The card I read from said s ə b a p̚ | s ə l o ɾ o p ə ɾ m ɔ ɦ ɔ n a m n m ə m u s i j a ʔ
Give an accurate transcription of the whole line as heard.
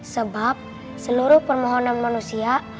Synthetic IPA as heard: s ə b a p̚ | s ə l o ɾ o p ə ɾ m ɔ ɦ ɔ n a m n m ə n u s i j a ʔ